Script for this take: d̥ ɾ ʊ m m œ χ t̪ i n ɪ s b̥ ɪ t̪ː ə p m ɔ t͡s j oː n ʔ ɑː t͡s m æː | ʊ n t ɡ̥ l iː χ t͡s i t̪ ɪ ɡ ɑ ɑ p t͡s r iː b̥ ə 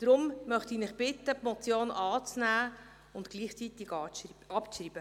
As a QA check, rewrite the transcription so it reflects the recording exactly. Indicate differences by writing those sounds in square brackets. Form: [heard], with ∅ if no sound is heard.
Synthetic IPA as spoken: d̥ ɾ ʊ m m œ χ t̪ i n ɪ [χ] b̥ ɪ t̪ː ə p m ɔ t͡s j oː n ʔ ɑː t͡s [n] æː | ʊ n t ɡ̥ l iː χ t͡s i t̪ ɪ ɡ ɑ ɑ p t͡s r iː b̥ ə